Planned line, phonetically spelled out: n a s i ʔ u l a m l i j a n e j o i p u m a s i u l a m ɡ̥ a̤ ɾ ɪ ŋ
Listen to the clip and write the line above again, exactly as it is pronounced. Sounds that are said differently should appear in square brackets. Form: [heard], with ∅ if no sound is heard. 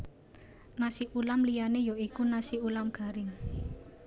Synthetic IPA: n a s i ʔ u l a m l i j a n e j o i [k] u [n] a s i u l a m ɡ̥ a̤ ɾ ɪ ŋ